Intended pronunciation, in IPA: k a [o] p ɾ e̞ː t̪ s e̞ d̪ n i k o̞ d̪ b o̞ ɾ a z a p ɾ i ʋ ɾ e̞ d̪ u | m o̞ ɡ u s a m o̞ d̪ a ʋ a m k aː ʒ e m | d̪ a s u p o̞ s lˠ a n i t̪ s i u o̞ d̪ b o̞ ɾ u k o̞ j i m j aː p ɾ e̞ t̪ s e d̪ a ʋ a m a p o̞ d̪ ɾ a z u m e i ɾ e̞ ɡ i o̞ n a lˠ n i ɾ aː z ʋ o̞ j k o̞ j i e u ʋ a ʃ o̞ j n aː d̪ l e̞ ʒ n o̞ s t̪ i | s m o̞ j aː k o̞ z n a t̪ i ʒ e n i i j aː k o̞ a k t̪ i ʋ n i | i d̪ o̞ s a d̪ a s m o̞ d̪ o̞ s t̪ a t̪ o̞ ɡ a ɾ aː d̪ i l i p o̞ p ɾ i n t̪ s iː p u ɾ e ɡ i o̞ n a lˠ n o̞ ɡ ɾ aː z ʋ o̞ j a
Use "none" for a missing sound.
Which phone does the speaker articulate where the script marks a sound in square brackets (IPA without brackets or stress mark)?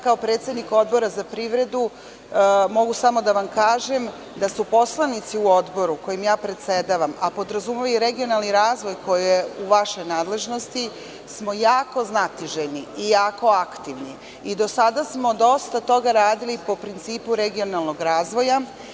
o